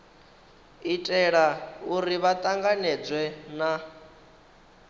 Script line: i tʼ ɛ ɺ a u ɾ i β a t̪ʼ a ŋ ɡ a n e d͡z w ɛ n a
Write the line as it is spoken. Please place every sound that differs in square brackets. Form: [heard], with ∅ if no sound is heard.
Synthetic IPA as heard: i tʼ ɛ ɺ a u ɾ i β a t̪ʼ a ŋ ɡ a n [ɛ] d͡z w ɛ n a